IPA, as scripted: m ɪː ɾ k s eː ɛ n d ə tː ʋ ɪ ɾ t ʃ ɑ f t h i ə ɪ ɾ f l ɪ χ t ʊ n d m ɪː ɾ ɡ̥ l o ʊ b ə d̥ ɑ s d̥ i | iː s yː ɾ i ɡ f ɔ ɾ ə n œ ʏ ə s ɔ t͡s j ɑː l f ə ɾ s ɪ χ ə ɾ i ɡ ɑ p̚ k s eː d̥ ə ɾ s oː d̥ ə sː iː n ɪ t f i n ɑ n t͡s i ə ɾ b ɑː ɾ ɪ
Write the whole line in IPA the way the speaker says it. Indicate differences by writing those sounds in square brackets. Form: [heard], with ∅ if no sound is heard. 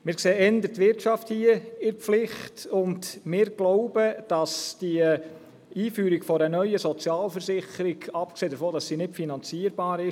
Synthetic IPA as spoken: m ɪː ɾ k s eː ɛ n d ə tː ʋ ɪ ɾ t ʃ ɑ f t h i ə ɪ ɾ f l ɪ χ t ʊ n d m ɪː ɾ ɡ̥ l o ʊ b ə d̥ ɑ s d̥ i | iː [f] yː ɾ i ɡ f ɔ ɾ ə n œ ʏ ə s ɔ t͡s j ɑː l f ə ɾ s ɪ χ ə ɾ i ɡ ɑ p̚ k s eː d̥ ə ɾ [f] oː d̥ [ɑ] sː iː n ɪ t f i n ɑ n t͡s i ə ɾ b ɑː ɾ ɪ